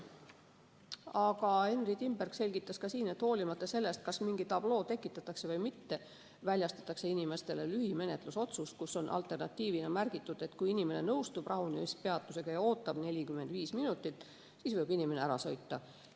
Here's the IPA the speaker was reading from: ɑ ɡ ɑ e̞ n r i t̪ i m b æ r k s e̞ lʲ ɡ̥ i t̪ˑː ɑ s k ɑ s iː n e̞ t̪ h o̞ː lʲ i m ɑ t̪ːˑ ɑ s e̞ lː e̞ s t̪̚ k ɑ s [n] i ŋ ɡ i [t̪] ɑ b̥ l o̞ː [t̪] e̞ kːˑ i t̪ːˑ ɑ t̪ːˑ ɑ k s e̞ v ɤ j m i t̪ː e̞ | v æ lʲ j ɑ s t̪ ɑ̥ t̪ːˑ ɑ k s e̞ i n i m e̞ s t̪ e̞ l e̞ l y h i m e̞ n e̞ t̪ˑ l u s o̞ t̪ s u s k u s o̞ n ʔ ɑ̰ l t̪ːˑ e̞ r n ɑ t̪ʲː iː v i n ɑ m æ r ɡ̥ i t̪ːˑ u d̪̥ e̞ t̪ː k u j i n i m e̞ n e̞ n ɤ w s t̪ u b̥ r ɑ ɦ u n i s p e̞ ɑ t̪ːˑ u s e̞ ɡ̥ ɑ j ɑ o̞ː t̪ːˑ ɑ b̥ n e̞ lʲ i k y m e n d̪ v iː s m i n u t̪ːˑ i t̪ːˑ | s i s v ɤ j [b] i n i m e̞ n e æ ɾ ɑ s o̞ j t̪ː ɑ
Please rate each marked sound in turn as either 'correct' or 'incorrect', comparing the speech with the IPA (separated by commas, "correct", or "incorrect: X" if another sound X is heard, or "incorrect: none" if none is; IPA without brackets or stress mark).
incorrect: m, correct, correct, correct